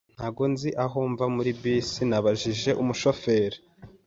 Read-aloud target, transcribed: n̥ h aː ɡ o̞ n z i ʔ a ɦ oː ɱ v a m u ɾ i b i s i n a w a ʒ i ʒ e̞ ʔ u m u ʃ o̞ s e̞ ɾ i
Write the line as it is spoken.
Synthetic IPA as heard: n̥ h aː ɡ o̞ n z i ʔ a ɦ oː ɱ v a m u ɾ i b i s i n a β a ʒ i ʒ e̞ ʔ u m u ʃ o̞ f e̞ ɾ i